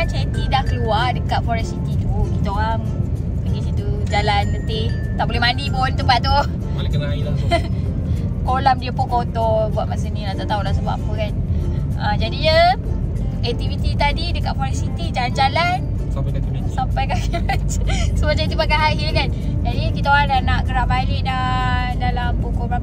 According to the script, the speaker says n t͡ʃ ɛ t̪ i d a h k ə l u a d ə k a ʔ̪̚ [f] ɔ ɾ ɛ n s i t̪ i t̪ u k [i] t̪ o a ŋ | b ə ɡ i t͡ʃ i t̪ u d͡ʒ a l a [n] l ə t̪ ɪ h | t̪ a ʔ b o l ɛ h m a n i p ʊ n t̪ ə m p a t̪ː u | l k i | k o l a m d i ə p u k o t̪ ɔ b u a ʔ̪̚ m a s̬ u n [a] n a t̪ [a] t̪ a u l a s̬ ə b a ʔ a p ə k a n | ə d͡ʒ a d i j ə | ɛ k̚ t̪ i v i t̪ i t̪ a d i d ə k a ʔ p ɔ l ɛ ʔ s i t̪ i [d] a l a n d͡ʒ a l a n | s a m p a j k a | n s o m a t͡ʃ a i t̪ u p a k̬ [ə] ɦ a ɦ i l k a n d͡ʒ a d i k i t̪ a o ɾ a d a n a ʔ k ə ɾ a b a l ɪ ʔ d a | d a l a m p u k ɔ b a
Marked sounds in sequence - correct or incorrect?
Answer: correct, correct, correct, incorrect: i, correct, incorrect: d͡ʒ, incorrect: a

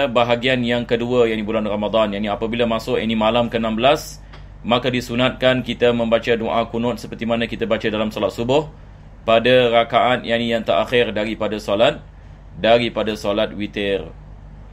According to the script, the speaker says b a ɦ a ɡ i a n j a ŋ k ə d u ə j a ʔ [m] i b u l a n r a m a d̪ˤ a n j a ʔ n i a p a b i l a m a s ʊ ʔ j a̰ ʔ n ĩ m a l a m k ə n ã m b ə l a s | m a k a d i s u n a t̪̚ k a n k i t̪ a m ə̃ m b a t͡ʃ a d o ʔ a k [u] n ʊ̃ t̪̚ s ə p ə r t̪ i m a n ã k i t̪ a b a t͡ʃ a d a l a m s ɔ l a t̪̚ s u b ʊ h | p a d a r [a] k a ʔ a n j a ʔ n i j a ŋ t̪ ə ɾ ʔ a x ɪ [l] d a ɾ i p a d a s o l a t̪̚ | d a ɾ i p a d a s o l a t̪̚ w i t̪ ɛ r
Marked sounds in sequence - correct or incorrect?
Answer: incorrect: n, correct, correct, incorrect: r

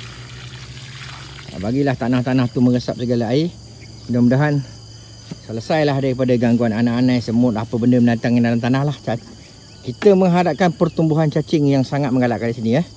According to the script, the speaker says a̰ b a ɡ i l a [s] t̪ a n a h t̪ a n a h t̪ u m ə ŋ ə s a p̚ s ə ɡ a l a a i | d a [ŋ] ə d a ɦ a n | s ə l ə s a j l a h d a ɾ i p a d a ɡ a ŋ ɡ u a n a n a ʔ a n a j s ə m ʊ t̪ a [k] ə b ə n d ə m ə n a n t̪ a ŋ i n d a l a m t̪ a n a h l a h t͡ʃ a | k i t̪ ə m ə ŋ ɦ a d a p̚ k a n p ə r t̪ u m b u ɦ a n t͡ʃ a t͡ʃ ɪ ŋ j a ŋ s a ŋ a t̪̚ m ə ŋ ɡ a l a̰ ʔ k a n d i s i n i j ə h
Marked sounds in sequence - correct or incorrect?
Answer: incorrect: h, incorrect: m, incorrect: p

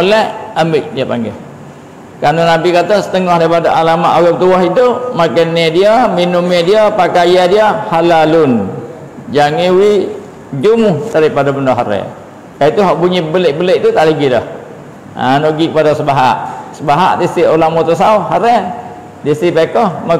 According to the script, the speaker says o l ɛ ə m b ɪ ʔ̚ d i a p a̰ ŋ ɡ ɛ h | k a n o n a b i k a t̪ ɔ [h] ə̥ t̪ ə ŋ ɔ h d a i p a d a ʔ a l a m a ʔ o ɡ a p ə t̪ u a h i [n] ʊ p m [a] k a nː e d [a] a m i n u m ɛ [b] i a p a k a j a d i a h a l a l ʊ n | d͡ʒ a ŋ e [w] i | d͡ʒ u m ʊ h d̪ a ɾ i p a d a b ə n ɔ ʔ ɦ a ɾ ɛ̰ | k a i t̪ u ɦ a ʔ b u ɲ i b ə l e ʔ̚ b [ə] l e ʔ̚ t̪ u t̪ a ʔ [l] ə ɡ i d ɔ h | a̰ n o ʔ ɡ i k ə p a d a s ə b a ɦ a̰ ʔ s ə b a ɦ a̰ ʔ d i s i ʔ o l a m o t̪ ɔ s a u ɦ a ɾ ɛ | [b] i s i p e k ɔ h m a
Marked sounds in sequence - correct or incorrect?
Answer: incorrect: s, incorrect: d, correct, incorrect: i, incorrect: d, correct, correct, correct, incorrect: d

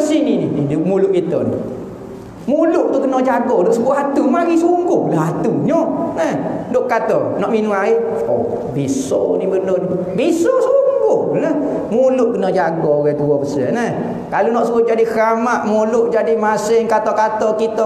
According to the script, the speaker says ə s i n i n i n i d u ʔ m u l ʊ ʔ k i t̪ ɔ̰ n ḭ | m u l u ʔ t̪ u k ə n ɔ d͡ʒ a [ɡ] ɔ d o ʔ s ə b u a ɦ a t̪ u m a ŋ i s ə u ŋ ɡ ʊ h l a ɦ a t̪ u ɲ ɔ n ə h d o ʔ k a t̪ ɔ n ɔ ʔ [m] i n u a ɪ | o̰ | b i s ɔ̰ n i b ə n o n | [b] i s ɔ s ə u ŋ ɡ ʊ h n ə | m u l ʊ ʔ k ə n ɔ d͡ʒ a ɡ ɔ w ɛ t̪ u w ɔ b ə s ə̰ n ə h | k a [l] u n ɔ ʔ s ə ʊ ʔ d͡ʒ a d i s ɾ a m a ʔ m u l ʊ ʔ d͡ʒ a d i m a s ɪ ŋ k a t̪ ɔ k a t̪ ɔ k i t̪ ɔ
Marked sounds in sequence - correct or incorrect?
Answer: correct, correct, correct, correct

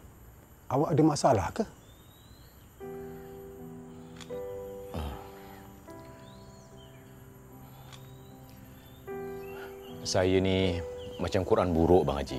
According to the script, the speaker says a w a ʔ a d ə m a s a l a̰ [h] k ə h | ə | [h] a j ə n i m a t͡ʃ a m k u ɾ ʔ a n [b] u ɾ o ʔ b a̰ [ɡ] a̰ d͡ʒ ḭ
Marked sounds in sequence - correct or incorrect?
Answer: correct, incorrect: s, correct, incorrect: ŋ

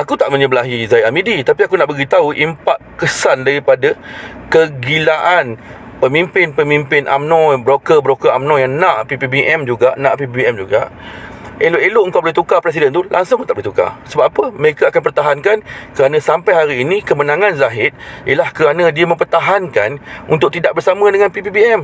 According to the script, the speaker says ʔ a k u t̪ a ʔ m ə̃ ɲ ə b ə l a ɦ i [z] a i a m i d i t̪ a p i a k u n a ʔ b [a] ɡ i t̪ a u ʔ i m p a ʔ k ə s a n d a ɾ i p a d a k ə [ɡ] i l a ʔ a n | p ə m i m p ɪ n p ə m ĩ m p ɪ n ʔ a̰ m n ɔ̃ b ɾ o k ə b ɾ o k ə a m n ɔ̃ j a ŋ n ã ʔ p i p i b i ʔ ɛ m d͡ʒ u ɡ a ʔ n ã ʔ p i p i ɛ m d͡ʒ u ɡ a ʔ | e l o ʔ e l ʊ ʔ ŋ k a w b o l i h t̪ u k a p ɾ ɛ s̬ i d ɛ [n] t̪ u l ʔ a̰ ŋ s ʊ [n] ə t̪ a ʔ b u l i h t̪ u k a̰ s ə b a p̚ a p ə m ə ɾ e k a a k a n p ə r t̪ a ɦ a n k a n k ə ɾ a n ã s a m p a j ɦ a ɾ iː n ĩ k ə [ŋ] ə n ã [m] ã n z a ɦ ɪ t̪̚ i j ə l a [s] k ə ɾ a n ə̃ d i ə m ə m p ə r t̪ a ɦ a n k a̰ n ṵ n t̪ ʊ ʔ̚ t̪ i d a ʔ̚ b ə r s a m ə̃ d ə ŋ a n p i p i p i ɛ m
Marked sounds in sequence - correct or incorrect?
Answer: correct, incorrect: ə, correct, correct, incorrect: ŋ, incorrect: m, incorrect: ŋ, incorrect: h

